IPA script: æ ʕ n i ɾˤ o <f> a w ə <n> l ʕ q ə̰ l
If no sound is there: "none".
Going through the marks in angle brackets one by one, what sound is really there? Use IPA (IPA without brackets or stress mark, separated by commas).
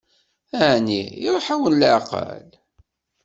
ħ, n